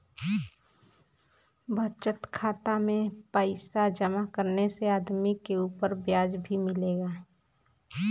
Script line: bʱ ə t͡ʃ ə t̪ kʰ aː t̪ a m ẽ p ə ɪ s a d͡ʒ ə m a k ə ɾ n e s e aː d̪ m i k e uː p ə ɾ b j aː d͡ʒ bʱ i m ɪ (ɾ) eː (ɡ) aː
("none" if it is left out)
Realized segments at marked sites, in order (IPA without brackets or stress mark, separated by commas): l, ɡ